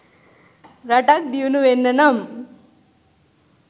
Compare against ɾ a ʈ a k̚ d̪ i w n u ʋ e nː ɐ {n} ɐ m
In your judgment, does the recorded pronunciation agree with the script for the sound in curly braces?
yes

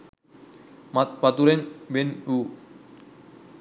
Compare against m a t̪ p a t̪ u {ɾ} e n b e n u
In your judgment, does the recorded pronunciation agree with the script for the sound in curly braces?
yes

